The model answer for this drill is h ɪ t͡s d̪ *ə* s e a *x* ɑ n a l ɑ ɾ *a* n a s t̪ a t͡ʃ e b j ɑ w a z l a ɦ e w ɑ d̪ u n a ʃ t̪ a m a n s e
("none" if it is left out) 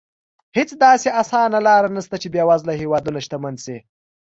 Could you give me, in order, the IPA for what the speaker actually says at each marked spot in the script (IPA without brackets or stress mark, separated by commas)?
ɑ, s, a